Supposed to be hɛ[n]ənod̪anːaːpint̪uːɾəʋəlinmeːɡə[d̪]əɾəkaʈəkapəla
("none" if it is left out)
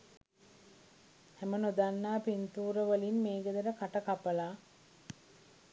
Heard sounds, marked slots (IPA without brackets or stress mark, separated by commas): m, d̪